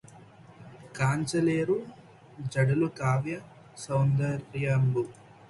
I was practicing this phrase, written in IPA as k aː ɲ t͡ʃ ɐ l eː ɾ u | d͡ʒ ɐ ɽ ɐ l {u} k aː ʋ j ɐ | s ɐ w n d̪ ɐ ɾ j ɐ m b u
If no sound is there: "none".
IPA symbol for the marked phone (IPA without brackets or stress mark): u